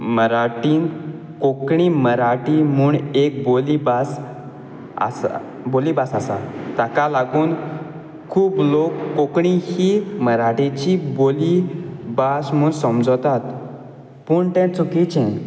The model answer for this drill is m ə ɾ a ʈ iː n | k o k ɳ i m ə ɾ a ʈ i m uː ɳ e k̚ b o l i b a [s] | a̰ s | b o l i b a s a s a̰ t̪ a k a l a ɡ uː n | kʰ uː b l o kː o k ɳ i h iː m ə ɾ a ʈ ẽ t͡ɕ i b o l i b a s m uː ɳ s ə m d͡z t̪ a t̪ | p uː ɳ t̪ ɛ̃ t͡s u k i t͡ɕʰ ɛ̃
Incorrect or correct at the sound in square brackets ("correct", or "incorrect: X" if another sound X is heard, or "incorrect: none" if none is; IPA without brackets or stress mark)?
correct